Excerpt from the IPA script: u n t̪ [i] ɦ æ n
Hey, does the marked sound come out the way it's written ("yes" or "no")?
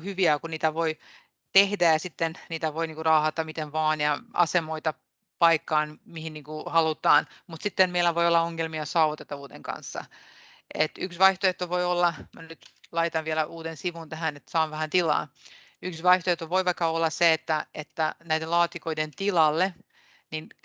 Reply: no